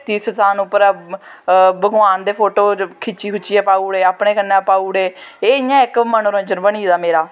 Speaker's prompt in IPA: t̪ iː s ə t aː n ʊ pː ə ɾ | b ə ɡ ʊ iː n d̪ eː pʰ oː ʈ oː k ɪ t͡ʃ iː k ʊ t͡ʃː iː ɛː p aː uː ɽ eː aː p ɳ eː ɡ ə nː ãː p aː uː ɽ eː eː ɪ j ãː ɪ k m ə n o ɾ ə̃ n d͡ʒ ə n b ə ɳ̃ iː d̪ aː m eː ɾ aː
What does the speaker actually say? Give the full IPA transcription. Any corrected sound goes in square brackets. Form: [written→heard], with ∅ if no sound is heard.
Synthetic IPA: t̪ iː s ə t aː n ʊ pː ə ɾ | b ə ɡ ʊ [iː→aː] n d̪ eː pʰ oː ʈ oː [k→kʰ] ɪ t͡ʃ iː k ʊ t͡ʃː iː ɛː p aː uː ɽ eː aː p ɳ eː [ɡ→k] ə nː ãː p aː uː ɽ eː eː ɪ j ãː ɪ k m ə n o ɾ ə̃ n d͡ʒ ə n b ə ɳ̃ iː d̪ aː m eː ɾ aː